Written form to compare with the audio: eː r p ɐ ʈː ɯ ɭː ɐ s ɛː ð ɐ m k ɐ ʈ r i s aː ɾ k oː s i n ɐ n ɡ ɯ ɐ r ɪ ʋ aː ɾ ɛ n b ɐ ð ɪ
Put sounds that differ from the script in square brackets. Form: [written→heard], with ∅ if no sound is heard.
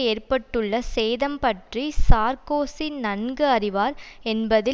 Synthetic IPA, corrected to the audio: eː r p ɐ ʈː ɯ ɭː ɐ s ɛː ð ɐ m [k→p] ɐ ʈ r i s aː ɾ k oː s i n ɐ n ɡ ɯ ɐ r ɪ ʋ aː ɾ ɛ n b ɐ ð ɪ